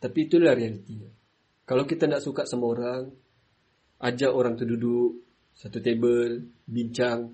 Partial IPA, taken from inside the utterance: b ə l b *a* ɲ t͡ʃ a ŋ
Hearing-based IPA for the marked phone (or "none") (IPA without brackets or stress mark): i